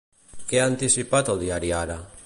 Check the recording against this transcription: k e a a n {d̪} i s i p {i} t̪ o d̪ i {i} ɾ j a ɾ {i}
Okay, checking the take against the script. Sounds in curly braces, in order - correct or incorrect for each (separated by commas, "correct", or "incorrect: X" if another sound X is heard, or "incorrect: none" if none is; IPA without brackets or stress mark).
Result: incorrect: t̪, incorrect: a, incorrect: a, incorrect: a